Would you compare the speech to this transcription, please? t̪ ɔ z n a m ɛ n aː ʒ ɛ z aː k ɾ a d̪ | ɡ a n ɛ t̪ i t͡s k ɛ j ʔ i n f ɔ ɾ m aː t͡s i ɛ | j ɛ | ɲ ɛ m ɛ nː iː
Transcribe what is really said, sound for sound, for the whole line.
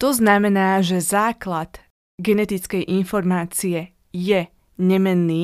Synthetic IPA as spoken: t̪ ɔ z n a m ɛ n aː ʒ ɛ z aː k l a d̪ | ɡ ɛ n ɛ t̪ i t͡s k ɛ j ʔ i n f ɔ ɾ m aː t͡s i ɛ | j ɛ | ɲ ɛ m ɛ nː iː